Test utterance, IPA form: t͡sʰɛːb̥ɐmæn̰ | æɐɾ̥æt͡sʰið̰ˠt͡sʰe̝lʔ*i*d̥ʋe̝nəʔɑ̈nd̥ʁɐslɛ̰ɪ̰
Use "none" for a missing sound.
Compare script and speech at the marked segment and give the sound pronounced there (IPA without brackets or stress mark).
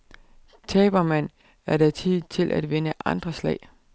æ